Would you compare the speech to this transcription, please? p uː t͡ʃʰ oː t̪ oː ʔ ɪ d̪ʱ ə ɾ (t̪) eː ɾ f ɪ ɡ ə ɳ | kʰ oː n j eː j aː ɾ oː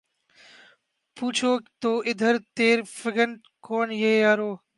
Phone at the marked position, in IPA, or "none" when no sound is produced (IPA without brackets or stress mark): t̪